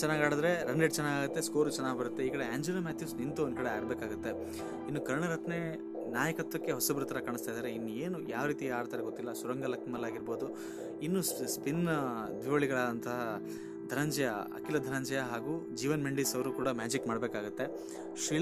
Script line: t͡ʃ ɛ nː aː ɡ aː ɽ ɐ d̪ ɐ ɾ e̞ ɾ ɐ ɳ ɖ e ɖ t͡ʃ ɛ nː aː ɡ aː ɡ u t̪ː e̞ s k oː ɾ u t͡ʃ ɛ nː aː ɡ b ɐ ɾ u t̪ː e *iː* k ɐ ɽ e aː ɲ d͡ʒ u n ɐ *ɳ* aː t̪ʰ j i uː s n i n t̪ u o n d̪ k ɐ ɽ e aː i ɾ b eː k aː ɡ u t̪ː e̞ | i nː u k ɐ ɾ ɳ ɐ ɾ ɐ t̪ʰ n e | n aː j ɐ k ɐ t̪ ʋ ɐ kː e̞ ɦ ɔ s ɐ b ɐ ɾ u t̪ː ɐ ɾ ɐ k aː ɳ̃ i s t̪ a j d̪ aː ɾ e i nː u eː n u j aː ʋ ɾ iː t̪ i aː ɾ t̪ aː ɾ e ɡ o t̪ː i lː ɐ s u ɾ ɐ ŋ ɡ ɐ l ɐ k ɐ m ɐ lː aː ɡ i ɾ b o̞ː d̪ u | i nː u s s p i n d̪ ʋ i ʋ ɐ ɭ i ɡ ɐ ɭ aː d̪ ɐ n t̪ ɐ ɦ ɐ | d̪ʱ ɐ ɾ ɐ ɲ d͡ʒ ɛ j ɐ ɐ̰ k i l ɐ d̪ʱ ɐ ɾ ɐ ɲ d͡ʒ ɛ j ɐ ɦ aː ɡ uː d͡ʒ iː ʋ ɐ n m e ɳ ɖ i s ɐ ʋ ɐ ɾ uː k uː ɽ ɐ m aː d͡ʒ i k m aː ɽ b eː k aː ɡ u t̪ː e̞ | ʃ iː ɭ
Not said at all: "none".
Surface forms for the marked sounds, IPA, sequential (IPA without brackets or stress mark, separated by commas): iː, m